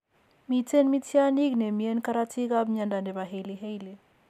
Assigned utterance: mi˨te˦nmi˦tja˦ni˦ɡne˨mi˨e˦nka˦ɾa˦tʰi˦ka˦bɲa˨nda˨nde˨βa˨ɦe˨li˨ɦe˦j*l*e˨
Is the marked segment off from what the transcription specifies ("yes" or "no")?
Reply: no